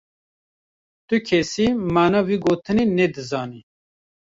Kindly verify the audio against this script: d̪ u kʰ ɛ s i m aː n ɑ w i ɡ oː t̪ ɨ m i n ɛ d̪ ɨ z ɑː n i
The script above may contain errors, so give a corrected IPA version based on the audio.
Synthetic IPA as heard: t̪ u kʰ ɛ s i m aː n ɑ w i ɡ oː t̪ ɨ n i n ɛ d̪ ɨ z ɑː n i

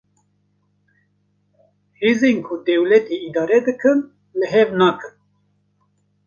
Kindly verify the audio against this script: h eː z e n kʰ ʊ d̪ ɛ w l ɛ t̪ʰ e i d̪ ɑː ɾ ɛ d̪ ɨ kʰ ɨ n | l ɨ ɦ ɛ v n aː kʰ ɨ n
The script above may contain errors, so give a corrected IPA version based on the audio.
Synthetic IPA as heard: h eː z e n kʰ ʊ d̪ ɛ w l ɛ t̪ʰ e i d̪ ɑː ɾ ɛ d̪ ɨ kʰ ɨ n | l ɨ ɦ ɛ v n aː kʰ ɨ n

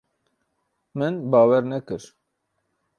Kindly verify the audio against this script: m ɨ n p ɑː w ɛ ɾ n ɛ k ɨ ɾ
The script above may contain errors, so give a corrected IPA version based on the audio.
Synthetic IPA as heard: m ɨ n b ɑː w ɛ ɾ n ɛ k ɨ ɾ

